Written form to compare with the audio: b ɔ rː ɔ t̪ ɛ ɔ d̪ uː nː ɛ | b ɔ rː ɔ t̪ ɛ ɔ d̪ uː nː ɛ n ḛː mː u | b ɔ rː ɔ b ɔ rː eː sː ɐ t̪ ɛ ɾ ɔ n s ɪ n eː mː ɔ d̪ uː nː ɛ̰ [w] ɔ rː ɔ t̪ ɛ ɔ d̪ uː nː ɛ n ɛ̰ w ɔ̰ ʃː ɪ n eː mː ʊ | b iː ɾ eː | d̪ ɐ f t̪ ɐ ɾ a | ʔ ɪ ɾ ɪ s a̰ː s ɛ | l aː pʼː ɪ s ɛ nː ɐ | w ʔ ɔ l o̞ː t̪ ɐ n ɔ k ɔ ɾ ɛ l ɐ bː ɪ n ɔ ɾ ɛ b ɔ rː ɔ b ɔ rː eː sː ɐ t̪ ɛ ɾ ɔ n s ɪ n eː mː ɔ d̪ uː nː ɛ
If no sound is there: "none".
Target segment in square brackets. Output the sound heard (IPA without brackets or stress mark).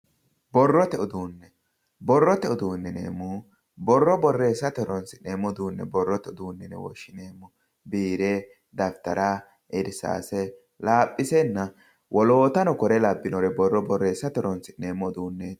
b